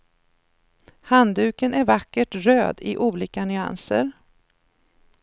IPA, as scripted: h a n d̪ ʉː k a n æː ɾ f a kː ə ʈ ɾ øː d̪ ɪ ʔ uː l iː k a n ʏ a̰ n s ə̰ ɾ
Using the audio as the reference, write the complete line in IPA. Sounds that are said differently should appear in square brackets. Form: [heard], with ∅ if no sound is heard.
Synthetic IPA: h a n d̪ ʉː k [ə] n [æ] ɾ [v] a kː ə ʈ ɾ øː d̪ ɪ ʔ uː l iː k a n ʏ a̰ n s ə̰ ɾ